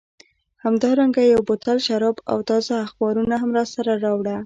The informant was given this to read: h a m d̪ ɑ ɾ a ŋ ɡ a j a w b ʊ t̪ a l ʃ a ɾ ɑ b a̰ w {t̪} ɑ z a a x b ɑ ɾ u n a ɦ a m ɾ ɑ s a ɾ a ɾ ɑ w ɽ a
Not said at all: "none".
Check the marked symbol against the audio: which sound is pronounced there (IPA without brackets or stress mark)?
t̪